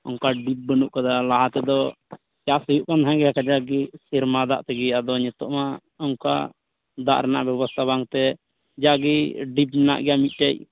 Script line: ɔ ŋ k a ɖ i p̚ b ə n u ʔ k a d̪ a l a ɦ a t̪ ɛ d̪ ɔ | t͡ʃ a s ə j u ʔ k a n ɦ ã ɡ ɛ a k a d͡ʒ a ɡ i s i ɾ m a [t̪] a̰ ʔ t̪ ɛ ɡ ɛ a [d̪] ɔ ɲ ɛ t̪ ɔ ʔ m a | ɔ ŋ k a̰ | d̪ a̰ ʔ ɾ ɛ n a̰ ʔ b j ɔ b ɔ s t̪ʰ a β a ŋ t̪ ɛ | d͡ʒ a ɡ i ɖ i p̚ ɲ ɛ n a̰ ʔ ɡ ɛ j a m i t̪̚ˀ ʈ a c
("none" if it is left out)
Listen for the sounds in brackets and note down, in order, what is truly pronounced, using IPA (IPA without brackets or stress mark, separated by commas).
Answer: d̪, d̪